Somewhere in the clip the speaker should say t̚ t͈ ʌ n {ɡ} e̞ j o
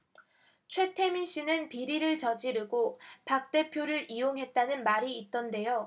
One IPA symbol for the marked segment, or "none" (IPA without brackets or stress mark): d